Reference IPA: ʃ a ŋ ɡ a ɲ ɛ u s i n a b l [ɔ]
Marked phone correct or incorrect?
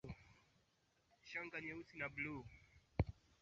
incorrect